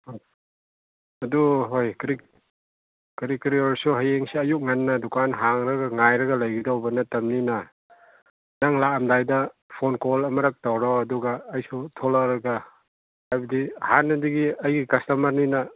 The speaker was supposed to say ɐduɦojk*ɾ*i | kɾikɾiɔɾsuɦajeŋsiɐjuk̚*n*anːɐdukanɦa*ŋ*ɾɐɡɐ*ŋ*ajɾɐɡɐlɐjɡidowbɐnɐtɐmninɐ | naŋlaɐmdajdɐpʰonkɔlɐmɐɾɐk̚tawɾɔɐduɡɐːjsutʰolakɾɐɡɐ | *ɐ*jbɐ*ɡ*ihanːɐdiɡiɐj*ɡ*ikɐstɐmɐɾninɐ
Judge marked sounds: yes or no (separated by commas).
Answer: yes, no, yes, yes, no, no, yes